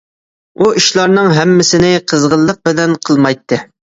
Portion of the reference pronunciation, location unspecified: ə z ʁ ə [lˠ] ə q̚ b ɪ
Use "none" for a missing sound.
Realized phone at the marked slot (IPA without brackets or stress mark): lˠː